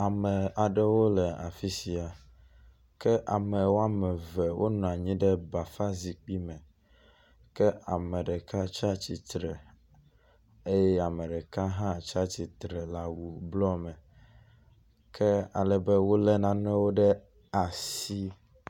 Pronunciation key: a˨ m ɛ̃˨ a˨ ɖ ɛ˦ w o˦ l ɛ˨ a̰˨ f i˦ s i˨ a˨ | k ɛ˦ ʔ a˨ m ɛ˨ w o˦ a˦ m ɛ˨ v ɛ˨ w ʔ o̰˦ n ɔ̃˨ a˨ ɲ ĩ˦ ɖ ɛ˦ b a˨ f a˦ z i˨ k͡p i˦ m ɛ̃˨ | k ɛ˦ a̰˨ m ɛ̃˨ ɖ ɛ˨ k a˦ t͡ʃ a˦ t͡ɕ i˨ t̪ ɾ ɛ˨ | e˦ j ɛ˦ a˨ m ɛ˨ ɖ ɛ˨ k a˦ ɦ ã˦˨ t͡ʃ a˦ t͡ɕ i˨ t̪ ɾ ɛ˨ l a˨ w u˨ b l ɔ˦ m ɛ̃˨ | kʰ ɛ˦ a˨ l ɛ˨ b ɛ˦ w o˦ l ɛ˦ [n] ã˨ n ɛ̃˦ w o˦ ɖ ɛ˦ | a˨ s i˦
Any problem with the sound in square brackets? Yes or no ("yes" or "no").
no